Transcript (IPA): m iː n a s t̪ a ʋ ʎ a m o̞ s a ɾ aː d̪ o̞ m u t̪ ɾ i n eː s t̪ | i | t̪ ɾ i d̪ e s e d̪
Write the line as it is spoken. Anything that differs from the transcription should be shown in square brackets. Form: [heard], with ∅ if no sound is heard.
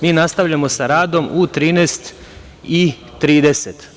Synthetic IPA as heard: m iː n a s t̪ a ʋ ʎ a m o̞ s a ɾ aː d̪ o̞ m u t̪ ɾ [iː] n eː s t̪ | i | t̪ ɾ [iː] d̪ e s e [t̪]